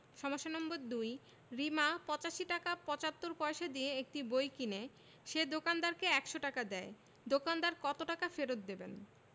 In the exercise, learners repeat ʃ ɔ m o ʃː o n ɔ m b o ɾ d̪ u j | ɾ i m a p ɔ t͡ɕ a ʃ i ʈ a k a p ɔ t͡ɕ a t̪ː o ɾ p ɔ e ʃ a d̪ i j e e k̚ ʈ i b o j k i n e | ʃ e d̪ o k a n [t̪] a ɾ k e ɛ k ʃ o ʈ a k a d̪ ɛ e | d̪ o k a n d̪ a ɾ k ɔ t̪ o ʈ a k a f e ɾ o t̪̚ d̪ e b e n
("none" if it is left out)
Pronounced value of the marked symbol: d̪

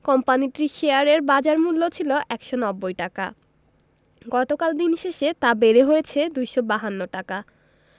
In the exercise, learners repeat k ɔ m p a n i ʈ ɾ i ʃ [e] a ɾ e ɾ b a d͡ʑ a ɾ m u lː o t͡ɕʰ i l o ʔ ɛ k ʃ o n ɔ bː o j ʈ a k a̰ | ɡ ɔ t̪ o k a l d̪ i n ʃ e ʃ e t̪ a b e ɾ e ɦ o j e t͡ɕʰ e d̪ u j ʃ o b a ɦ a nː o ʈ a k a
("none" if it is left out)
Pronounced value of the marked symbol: e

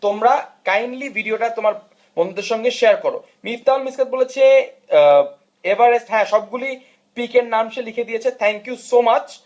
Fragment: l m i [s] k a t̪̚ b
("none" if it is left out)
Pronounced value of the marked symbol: s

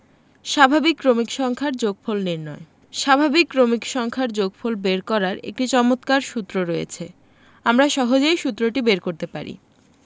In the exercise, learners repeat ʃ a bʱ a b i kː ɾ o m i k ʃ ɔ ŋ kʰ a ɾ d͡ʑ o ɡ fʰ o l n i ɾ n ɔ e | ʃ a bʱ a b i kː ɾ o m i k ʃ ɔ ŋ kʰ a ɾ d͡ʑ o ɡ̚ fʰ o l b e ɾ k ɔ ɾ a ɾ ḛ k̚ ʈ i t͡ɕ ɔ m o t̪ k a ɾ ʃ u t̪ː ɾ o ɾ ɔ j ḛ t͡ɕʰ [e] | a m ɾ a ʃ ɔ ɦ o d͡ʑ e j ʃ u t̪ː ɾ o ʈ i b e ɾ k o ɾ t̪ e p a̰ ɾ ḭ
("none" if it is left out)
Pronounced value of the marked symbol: e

